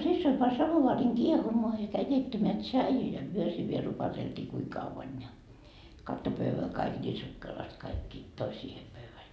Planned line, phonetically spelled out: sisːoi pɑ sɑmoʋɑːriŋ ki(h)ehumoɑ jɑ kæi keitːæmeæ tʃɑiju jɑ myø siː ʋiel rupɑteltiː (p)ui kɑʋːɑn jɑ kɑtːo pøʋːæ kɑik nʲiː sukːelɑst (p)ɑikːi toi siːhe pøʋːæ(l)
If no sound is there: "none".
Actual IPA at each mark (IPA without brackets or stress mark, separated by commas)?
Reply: none, k, k, l